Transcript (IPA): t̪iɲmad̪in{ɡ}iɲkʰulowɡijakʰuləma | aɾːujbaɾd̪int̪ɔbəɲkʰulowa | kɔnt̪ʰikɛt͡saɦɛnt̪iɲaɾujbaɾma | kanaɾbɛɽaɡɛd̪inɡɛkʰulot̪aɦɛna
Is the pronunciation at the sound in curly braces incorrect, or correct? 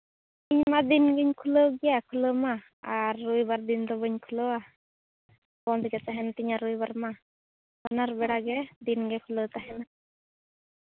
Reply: correct